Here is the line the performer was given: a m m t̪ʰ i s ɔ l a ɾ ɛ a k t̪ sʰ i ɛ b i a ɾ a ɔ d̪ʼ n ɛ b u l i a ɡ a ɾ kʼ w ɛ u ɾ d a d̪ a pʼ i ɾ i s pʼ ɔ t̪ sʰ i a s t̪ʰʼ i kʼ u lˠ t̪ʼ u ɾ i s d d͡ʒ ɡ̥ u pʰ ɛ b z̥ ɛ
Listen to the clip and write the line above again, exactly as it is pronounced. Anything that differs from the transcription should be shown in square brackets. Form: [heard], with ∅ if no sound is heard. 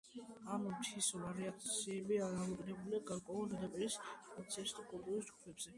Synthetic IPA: a m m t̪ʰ i s ɔ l a ɾ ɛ a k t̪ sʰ i ɛ b i a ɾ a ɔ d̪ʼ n ɛ b u l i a ɡ a ɾ kʼ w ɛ u [l] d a d̪ a pʼ i ɾ i s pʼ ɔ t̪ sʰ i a s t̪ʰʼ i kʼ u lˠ t̪ʼ u ɾ i s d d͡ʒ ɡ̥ u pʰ ɛ b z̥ ɛ